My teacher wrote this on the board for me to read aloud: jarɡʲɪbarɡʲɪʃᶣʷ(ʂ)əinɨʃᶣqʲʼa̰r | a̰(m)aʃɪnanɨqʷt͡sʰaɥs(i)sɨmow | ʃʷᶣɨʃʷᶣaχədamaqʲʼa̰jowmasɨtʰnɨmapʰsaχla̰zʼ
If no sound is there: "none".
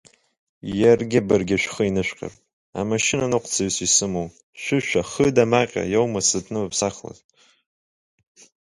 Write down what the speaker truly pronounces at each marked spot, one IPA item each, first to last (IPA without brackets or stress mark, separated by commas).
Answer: χ, m, i